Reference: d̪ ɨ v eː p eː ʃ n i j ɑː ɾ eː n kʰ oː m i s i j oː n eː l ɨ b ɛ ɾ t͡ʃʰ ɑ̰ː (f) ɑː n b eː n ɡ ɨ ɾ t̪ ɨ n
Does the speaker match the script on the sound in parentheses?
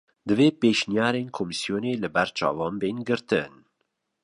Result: no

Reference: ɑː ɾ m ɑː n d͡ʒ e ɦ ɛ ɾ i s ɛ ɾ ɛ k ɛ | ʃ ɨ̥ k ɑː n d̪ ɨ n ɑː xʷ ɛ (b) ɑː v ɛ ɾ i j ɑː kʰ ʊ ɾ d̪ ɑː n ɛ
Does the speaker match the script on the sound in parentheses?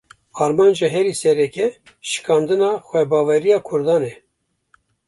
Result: yes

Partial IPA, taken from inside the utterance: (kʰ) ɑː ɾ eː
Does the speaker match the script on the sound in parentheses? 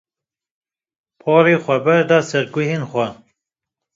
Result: no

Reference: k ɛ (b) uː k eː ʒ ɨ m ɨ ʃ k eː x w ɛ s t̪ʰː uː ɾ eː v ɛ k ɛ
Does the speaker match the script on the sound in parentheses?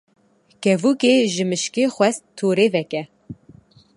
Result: no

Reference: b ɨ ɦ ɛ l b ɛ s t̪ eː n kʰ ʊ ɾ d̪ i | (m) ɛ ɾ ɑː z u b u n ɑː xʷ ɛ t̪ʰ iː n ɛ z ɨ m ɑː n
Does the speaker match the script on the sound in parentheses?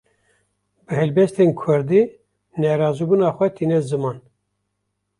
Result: no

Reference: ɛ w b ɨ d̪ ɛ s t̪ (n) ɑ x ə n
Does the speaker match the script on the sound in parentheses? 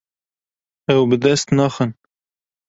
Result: yes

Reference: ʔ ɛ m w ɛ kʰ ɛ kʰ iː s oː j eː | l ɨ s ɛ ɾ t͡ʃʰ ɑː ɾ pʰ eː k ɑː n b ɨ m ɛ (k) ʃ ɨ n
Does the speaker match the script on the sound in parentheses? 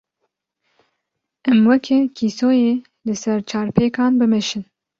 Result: no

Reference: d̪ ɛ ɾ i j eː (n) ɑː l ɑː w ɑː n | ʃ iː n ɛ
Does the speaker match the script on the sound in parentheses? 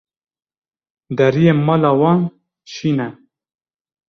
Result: no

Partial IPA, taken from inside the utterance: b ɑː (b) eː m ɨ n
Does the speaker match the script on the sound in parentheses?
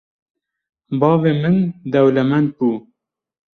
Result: no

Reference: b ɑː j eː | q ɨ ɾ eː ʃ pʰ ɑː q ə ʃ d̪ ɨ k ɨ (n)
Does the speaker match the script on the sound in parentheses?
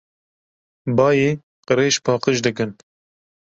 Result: yes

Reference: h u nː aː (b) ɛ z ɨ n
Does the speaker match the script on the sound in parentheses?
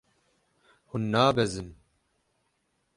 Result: yes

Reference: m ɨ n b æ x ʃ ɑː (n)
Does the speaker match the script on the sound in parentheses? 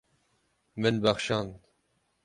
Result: yes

